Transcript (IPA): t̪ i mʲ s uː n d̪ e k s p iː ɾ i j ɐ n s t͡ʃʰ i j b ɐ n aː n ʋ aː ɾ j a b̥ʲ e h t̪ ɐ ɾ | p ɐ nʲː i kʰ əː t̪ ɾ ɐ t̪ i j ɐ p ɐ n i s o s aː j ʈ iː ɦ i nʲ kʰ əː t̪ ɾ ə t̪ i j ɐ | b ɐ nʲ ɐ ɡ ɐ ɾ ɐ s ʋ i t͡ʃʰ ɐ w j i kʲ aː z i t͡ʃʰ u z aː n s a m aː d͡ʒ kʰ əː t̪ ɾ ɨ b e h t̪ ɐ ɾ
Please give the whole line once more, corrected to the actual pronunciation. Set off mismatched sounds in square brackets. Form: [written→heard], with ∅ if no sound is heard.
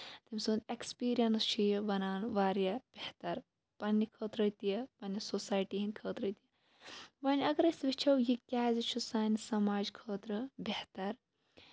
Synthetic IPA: t̪ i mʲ s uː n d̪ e k s p iː ɾ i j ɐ n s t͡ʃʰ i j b ɐ n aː n ʋ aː ɾ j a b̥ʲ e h t̪ ɐ ɾ | p ɐ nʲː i kʰ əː t̪ ɾ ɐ t̪ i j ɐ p ɐ n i s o s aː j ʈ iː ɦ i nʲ kʰ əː t̪ ɾ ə t̪ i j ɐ | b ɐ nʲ ɐ ɡ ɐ ɾ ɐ s ʋ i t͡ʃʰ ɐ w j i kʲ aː z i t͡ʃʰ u [z→s] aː n s [a→ɐ] m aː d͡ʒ kʰ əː t̪ ɾ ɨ b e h t̪ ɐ ɾ